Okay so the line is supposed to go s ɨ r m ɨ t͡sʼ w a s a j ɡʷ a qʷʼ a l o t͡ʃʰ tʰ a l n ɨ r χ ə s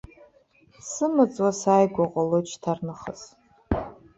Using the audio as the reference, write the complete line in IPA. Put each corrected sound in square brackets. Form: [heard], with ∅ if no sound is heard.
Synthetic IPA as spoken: s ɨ [∅] m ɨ t͡sʼ w a s a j ɡʷ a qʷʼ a l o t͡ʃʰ tʰ a [r] n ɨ [∅] χ ə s